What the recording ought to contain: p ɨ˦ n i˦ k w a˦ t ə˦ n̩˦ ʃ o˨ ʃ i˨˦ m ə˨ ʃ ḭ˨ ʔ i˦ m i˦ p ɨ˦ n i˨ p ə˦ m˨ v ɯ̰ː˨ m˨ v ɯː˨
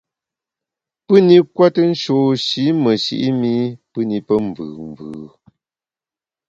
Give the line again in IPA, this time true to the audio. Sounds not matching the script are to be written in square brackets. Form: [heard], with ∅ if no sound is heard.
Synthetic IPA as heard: p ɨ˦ n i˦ k w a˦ t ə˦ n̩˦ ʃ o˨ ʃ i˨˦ m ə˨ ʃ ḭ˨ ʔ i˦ m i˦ p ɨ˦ n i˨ p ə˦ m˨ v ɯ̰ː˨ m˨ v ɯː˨